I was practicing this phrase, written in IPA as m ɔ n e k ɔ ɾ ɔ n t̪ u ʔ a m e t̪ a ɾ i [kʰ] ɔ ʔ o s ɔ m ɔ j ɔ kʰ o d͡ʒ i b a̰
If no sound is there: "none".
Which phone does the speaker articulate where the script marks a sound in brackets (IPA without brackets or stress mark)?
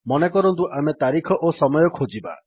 kʰ